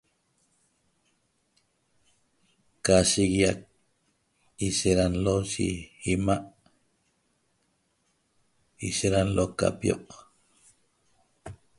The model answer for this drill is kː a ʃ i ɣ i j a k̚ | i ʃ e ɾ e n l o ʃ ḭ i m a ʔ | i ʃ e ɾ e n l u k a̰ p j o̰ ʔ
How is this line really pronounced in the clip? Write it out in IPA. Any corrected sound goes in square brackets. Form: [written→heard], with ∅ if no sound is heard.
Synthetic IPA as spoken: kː a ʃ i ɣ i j a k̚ | i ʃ e ɾ [e→a] n l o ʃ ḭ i m a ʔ | i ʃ e ɾ [e→a] n l [u→o] k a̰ p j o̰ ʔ